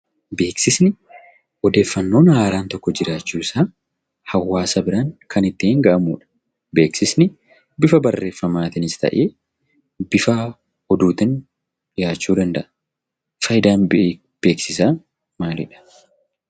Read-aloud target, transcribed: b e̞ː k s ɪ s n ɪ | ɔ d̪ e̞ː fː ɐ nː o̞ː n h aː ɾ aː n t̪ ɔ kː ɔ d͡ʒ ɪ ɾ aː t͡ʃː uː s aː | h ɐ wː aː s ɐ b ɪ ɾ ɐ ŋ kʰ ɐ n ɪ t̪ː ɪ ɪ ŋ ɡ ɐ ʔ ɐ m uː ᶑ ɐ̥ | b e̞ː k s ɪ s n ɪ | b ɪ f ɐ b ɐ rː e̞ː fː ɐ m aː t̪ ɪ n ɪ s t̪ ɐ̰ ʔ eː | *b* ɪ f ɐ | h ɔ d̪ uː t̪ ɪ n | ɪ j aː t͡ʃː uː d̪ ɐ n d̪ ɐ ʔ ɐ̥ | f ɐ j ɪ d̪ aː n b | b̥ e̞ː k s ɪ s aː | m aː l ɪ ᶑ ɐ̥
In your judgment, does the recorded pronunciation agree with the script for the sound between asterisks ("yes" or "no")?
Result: yes